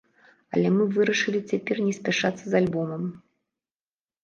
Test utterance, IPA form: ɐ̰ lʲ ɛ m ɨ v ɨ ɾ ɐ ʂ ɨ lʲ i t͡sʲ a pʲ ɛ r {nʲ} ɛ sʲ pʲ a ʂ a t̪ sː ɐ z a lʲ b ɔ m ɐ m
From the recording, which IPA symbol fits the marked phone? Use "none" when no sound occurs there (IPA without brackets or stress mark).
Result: nʲ